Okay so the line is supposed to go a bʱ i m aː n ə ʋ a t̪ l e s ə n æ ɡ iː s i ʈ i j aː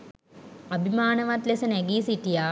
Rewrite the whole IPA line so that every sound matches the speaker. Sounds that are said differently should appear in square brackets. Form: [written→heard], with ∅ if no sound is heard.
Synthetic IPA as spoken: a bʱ i m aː n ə ʋ a t̪ l e s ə n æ ɡ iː s i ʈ i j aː